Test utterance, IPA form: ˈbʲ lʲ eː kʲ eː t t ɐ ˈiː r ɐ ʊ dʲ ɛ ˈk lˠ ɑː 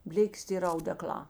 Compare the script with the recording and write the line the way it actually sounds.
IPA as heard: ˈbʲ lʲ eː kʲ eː s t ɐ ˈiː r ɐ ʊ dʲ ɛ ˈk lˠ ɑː